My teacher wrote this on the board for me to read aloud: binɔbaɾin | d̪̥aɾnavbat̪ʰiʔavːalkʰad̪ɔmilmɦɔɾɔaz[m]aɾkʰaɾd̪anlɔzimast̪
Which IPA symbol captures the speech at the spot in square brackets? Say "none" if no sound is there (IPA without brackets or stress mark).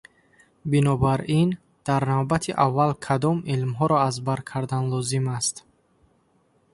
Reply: b